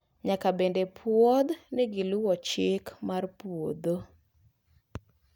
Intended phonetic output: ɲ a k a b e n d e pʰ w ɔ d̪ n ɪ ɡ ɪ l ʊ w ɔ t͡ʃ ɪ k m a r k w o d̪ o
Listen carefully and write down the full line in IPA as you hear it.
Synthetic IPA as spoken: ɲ a k a b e n d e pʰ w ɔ d̪ n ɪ ɡ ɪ l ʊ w ɔ t͡ʃ ɪ k m a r p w o d̪ o